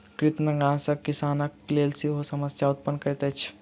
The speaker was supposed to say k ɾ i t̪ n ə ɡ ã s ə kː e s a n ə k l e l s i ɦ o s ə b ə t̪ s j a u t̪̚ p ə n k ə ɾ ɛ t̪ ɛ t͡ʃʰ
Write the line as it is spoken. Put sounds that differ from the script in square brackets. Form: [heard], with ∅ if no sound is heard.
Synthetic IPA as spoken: k ɾ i t̪ n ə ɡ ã s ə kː [i] s a n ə k l e l s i ɦ o s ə [m] ə [∅] s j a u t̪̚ p ə n k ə ɾ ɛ t̪ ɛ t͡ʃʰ